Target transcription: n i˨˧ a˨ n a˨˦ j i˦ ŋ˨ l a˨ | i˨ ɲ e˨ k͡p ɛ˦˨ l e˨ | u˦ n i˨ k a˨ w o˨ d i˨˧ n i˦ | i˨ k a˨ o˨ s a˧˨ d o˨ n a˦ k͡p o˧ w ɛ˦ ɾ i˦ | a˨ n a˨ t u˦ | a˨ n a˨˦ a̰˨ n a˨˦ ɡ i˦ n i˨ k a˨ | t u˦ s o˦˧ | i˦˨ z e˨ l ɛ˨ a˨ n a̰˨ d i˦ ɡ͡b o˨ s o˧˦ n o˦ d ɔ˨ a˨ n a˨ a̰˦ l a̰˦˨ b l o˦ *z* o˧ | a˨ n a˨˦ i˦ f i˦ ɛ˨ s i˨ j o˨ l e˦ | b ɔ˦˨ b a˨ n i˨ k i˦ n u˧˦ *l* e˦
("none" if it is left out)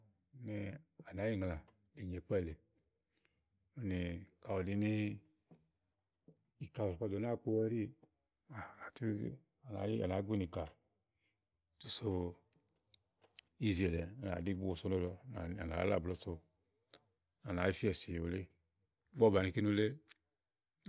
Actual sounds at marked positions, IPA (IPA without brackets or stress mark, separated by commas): s, l